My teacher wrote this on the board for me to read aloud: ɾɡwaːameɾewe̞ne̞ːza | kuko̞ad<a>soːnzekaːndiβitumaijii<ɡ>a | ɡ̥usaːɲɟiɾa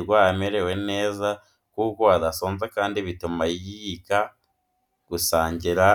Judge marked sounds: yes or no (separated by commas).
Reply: yes, no